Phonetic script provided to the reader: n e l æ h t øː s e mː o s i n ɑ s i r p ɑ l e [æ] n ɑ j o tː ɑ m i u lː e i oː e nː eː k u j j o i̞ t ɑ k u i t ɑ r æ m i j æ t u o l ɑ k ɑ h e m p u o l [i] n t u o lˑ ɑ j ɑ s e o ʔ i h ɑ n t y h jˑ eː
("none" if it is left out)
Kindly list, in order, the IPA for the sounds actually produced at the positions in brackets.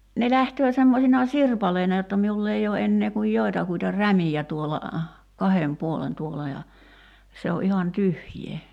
i, e

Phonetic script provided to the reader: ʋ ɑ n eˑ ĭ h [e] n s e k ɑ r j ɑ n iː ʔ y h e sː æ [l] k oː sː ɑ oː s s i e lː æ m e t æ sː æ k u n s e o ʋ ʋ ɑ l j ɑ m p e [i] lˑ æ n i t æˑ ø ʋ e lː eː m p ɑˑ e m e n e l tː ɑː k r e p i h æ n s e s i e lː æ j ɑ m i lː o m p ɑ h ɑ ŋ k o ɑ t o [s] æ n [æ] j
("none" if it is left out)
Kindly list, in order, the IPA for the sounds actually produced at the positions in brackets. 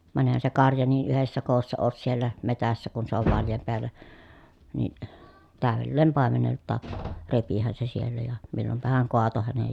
æ, none, æ, h, e

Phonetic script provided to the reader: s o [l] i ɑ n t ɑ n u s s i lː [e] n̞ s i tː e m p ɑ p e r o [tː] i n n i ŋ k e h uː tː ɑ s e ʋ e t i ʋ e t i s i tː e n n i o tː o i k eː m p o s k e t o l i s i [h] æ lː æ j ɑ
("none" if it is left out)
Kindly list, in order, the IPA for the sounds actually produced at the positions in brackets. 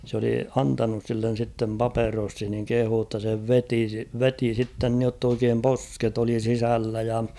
l, e, sː, s

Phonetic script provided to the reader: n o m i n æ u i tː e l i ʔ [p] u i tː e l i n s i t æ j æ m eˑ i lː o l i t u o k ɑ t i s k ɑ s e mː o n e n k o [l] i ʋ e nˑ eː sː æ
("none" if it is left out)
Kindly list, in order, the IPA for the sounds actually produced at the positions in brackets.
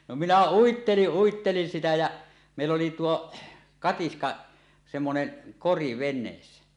ʔ, r

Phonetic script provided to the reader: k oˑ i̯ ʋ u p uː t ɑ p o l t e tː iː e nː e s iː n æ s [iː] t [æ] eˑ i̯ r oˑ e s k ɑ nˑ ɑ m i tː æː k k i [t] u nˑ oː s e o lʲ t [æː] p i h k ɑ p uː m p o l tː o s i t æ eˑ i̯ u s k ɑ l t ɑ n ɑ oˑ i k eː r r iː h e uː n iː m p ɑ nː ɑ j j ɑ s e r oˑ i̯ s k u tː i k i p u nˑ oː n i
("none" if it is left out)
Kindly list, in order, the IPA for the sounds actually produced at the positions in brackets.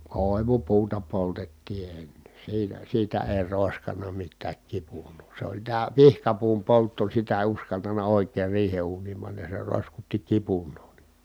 iː, æ, p, æː

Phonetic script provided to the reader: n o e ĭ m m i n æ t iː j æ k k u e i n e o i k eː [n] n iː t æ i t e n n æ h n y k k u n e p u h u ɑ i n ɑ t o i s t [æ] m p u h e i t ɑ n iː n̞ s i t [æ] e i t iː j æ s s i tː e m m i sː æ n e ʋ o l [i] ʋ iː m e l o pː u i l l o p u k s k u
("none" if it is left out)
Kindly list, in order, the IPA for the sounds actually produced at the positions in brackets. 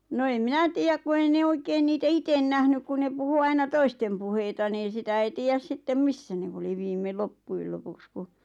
n, e, æ, i

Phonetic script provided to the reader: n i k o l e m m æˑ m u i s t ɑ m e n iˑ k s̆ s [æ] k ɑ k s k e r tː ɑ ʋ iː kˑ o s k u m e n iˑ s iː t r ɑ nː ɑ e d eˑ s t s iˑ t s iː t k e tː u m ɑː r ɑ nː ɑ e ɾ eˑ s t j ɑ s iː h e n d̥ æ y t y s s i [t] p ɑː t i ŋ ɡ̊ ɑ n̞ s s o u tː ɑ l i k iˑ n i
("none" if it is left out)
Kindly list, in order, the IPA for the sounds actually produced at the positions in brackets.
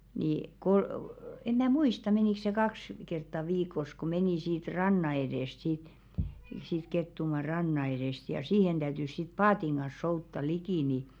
e, t

